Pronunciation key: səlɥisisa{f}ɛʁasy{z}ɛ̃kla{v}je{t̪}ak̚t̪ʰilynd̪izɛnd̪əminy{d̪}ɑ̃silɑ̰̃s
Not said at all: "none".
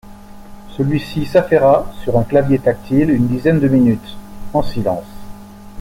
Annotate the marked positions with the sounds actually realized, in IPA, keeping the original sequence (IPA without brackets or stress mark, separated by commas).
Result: f, ʁ, v, t̪, t̪